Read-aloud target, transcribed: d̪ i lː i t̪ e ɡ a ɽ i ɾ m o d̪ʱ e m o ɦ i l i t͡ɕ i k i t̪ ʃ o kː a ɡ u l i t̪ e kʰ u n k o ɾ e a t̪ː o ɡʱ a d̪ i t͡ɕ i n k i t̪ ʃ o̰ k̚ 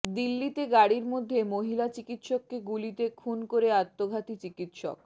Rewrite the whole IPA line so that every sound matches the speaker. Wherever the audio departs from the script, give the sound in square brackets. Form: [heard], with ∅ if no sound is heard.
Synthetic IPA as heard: d̪ i lː i t̪ e ɡ a ɽ i ɾ m o [d̪ʱː] e m o ɦ i l [a] t͡ɕ i k i t̪ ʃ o kː [e] ɡ u l i t̪ e kʰ u n k o ɾ e a t̪ː o ɡʱ a [t̪] i t͡ɕ i [∅] k i t̪ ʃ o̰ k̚